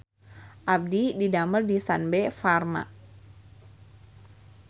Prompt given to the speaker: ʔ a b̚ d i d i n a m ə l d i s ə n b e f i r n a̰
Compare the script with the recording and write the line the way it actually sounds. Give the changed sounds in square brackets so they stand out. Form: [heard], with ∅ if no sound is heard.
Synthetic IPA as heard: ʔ a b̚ d i d i [d] a m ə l d i s [a] n b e f [a] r [m] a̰